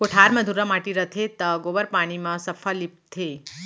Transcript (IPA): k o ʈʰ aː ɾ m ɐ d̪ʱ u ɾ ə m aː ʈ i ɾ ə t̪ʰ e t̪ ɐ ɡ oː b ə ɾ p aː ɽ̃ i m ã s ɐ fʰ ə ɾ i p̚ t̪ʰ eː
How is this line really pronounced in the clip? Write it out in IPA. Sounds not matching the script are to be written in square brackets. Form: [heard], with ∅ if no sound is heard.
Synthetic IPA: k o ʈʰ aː ɾ m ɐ d̪ʱ u ɾ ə m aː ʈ i ɾ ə t̪ʰ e t̪ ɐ ɡ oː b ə ɾ p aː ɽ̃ i m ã s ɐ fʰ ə [l] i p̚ t̪ʰ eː